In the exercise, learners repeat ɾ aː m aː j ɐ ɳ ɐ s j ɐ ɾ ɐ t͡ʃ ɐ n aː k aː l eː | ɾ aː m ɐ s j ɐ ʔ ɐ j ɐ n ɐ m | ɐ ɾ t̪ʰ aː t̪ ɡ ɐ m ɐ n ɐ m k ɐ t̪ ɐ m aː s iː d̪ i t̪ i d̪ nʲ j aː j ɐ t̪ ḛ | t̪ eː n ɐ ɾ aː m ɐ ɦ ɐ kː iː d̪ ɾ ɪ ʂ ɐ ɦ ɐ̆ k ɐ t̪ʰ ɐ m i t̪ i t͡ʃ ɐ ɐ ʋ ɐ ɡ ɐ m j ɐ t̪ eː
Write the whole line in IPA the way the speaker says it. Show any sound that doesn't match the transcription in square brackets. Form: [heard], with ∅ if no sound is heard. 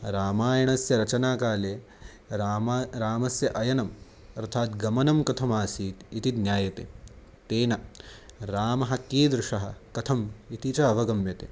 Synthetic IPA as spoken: ɾ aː m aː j ɐ ɳ ɐ s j ɐ ɾ ɐ t͡ʃ ɐ n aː k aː l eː | ɾ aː m ɐ s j ɐ ʔ ɐ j ɐ n ɐ m | ɐ ɾ t̪ʰ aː t̪ ɡ ɐ m ɐ n ɐ m k ɐ [t̪ʰ] ɐ m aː s iː [t̪] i t̪ i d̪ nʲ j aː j ɐ t̪ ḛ | t̪ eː n ɐ ɾ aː m ɐ ɦ ɐ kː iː d̪ ɾ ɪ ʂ ɐ ɦ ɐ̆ k ɐ t̪ʰ ɐ m i t̪ i t͡ʃ ɐ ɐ ʋ ɐ ɡ ɐ m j ɐ t̪ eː